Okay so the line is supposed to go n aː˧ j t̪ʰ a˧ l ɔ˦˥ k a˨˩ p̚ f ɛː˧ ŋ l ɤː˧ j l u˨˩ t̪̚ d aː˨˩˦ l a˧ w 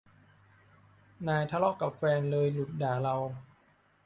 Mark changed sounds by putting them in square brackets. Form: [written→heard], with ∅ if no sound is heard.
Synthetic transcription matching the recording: n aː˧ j t̪ʰ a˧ l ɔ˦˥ k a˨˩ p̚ f ɛː˧ [ŋ→n] l ɤː˧ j l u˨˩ t̪̚ d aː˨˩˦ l a˧ w